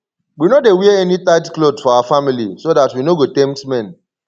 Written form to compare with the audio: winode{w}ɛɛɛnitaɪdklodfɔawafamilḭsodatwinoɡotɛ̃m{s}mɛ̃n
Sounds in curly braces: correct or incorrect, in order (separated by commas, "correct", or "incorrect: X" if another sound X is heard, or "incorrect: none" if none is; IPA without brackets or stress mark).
correct, incorrect: t